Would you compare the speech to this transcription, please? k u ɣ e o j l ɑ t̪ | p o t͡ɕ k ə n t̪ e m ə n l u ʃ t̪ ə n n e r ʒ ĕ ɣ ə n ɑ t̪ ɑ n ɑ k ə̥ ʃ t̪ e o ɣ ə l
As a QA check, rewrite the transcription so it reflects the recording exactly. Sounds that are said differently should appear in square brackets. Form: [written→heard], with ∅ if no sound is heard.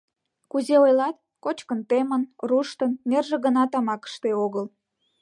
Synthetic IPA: k u [ɣ→z] e o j l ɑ t̪ | [p→k] o t͡ɕ k ə n t̪ e m ə n [l→r] u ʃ t̪ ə n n e r ʒ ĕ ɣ ə n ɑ t̪ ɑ [n→m] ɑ k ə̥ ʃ t̪ e o ɣ ə l